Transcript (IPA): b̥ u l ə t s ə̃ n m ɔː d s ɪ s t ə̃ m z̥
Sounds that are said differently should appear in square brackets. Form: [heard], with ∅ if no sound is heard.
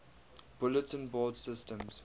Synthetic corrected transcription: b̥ [ʊ] l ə t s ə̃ n [b] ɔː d s ɪ s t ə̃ m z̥